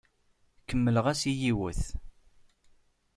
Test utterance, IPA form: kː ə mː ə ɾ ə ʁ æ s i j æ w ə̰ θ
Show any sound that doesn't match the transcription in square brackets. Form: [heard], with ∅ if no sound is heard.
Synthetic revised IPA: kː ə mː ə [l] ə ʁ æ s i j [i] w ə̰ θ